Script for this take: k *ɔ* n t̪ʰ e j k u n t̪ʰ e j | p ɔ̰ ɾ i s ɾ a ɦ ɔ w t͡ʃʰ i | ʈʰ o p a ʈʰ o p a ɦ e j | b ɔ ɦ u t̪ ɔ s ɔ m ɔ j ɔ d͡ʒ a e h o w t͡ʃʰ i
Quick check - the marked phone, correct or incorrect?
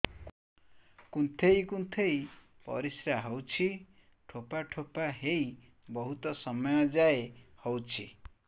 incorrect